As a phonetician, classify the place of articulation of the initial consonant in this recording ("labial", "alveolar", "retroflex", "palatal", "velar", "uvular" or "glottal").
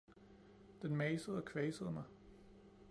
alveolar